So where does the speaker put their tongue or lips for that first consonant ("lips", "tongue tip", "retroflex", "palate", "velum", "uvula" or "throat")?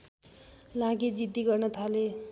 tongue tip